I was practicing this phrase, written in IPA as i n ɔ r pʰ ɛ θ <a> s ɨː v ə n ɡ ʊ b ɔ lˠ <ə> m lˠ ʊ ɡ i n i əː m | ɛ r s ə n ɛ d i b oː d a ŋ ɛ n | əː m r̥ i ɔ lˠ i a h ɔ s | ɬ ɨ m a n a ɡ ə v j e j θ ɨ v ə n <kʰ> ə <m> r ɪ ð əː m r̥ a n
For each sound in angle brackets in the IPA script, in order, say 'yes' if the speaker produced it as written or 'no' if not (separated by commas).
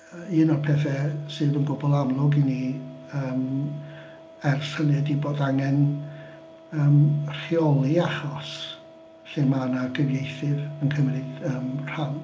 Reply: no, no, yes, yes